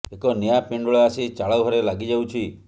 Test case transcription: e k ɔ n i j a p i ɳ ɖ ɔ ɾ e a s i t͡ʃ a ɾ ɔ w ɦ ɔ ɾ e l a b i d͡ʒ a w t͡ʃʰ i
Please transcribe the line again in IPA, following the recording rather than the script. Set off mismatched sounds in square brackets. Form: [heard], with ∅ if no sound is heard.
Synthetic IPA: e k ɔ n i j a p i ɳ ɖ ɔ [ɭ] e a s i t͡ʃ a [ɭ] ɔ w ɦ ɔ ɾ e l a [ɡ] i d͡ʒ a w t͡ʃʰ i